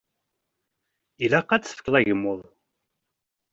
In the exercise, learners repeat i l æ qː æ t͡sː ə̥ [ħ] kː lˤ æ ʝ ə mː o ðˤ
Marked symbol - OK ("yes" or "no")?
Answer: no